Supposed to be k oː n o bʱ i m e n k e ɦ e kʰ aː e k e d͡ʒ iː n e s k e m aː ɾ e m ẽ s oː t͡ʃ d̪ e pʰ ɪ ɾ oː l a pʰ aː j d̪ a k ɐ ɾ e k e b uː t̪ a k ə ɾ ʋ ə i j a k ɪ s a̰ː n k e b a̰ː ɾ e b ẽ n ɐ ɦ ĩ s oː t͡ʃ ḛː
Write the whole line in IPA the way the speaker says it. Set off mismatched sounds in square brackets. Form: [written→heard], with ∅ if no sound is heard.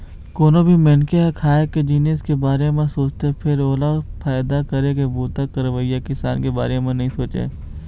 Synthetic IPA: k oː n o bʱ i m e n k e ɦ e kʰ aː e k e d͡ʒ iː n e s k e [m→b] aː ɾ e m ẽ s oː t͡ʃ [d̪→t̪] e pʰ ɪ ɾ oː l a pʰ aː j d̪ a k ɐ ɾ e k e b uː t̪ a k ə ɾ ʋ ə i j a k ɪ s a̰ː n k e b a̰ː ɾ e [b→m] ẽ n ɐ ɦ ĩ s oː t͡ʃ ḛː

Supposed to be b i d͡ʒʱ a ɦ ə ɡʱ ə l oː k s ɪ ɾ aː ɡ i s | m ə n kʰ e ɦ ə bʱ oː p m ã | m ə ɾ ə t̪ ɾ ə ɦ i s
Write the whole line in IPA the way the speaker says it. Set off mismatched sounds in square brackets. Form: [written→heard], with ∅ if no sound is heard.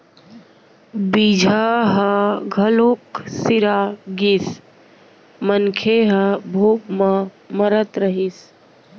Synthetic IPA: b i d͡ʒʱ a ɦ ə ɡʱ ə l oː k s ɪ ɾ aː ɡ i s | m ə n kʰ e ɦ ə bʱ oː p m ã | m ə ɾ ə t̪ ɾ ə ɦ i s

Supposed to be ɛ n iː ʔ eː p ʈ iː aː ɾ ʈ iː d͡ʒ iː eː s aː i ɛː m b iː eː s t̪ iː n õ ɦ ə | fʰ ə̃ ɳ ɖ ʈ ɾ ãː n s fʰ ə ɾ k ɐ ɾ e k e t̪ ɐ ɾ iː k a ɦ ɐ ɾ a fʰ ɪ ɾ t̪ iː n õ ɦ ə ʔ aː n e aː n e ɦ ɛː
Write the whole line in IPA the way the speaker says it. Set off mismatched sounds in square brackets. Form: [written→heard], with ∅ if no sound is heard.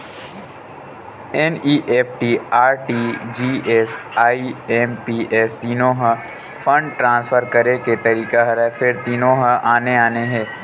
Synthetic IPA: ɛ n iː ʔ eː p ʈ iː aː ɾ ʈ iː d͡ʒ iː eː s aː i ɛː m [b→p] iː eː s t̪ iː n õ ɦ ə | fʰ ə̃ ɳ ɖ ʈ ɾ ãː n s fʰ ə ɾ k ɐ ɾ e k e t̪ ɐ ɾ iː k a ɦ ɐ ɾ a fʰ ɪ ɾ t̪ iː n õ ɦ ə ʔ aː n e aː n e ɦ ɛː

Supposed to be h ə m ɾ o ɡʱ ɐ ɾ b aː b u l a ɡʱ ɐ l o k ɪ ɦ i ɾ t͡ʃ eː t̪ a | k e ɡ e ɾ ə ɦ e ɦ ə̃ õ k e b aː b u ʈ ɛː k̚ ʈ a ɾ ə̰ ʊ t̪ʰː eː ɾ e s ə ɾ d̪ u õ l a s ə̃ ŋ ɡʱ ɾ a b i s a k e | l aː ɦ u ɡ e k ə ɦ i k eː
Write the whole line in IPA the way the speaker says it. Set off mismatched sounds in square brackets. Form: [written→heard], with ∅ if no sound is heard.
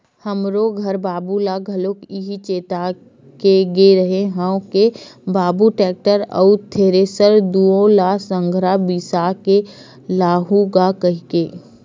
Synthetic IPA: h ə m ɾ o ɡʱ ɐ ɾ b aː b u l a ɡʱ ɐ l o k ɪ ɦ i [ɾ→∅] t͡ʃ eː t̪ a | k e ɡ e ɾ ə ɦ e ɦ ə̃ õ k e b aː b u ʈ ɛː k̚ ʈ [a→ə] ɾ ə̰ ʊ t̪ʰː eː ɾ e s ə ɾ d̪ u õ l a s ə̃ ŋ ɡʱ ɾ a b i s a k e | l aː ɦ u ɡ [e→a] k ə ɦ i k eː

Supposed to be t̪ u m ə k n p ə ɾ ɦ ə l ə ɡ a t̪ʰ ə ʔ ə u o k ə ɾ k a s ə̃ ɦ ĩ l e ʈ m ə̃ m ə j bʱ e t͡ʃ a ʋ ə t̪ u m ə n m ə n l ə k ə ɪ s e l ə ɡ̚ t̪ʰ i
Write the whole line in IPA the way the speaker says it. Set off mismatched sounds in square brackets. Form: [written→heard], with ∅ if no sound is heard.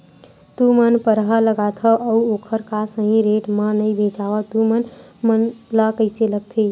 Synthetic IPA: t̪ u m ə [k→∅] n p ə ɾ ɦ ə l ə ɡ a t̪ʰ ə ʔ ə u o [k→kʰ] ə ɾ k a s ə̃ ɦ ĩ [l→ɾ] e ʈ m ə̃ [m→n] ə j bʱ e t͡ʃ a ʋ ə t̪ u m ə n m ə n l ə k ə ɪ s e l ə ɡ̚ t̪ʰ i

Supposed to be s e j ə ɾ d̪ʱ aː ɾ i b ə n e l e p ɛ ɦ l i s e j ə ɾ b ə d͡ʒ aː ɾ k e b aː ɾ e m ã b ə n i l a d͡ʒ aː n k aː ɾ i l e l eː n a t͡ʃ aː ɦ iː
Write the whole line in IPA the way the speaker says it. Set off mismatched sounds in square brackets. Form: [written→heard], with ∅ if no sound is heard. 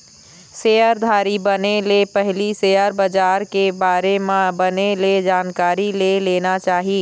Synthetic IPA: s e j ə ɾ d̪ʱ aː ɾ i b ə n e l e p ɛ ɦ l i s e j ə ɾ b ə d͡ʒ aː ɾ k e b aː ɾ e m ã b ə n [i→e] l [a→e] d͡ʒ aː n k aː ɾ i l e l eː n a t͡ʃ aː ɦ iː

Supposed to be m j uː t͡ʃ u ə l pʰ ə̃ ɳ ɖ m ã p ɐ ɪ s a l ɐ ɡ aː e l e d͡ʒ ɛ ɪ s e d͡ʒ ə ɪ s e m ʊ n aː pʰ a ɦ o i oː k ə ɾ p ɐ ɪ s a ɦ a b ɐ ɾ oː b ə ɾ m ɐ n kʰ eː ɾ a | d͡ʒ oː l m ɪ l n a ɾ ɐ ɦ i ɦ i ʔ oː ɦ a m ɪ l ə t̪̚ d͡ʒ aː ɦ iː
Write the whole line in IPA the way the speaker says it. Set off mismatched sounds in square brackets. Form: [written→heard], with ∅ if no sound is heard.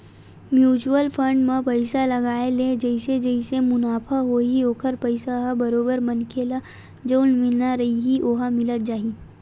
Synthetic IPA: m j uː t͡ʃ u ə l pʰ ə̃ ɳ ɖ m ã p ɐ ɪ s a l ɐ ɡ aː e l e d͡ʒ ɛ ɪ s e d͡ʒ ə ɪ s e m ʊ n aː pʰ a ɦ o i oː k ə ɾ p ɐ ɪ s a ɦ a b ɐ ɾ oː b ə ɾ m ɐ n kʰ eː [ɾ→l] a | d͡ʒ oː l m ɪ l n a ɾ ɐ ɦ i ɦ i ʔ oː ɦ a m ɪ l ə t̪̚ d͡ʒ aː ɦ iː

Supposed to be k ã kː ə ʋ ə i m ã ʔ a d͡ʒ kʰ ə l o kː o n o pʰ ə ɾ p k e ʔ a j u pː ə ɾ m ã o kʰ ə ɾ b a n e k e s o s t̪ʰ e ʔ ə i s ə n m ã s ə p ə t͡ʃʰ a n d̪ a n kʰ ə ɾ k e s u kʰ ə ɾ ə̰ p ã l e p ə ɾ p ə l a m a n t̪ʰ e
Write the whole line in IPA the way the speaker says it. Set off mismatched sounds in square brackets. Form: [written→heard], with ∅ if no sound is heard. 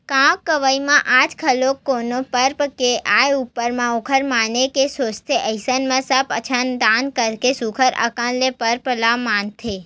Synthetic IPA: k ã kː ə ʋ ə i m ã ʔ a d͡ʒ kʰ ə l o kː o n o [pʰ→p] ə ɾ p k e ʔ a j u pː ə ɾ m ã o kʰ ə ɾ [b→m] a n e k e s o s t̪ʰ e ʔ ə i s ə n m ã s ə p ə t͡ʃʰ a n d̪ a n [kʰ→k] ə ɾ k e s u kʰ ə ɾ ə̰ [p→k] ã l e p ə ɾ p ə l a m a n t̪ʰ e

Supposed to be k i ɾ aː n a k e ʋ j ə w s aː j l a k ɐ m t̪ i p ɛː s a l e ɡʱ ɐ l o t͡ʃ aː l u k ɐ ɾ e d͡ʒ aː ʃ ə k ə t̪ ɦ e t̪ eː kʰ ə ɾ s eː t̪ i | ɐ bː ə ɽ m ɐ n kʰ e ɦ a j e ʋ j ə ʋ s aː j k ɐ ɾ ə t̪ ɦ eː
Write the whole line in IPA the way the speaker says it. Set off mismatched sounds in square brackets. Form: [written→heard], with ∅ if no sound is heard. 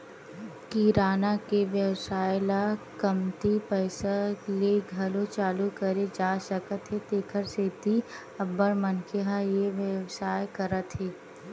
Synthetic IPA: k i ɾ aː n a k e ʋ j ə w s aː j l a k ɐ m t̪ i p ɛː s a l e ɡʱ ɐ l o t͡ʃ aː l u k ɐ ɾ e d͡ʒ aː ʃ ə k ə t̪ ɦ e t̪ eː kʰ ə ɾ s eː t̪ i | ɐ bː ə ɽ m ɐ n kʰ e ɦ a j e ʋ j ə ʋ s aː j k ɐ ɾ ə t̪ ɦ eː

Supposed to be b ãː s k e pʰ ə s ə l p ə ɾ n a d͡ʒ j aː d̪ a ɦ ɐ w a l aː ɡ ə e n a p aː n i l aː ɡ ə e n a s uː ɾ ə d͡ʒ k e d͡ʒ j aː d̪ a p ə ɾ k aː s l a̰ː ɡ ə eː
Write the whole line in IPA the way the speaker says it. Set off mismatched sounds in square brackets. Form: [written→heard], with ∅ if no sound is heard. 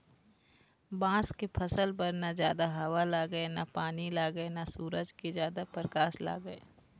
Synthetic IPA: b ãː s k e pʰ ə s ə l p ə ɾ n a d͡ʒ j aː d̪ a ɦ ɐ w a l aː ɡ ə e n a p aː n i l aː ɡ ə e n a s uː ɾ ə d͡ʒ k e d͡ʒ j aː d̪ a p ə ɾ k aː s l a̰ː ɡ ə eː

